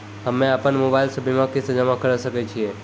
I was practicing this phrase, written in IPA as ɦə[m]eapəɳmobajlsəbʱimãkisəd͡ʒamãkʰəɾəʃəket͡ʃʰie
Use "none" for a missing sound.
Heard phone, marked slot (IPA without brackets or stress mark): m